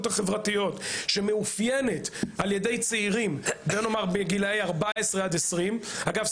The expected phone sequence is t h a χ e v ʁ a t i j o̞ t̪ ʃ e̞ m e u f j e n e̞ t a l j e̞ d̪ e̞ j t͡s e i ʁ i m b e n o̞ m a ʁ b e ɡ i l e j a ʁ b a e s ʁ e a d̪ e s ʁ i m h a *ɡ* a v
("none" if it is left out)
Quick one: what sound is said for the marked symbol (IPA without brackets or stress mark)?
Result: ɡ